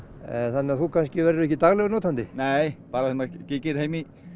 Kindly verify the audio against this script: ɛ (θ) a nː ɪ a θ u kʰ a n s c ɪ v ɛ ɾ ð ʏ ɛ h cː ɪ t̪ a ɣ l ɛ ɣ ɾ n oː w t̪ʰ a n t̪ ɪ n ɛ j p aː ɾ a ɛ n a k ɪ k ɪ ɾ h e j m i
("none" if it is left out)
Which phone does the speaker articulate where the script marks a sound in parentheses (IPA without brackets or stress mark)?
θ